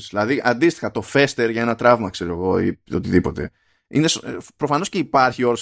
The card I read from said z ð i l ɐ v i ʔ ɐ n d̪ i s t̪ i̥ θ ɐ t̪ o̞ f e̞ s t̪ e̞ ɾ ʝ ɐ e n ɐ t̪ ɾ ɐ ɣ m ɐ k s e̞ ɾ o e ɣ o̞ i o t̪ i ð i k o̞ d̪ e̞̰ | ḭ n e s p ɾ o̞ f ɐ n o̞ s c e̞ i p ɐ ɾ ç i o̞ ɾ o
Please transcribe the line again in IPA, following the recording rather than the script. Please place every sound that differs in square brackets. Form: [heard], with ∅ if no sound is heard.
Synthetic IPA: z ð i l ɐ [ð] i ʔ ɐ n d̪ i s t̪ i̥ [x] ɐ t̪ o̞ f e̞ s t̪ e̞ ɾ ʝ ɐ e n ɐ t̪ ɾ ɐ [v] m ɐ k s e̞ ɾ o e ɣ o̞ i o t̪ i ð i [p] o̞ [t̪] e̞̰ | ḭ n e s p ɾ o̞ f ɐ n o̞ s c e̞ i p ɐ ɾ ç i o̞ ɾ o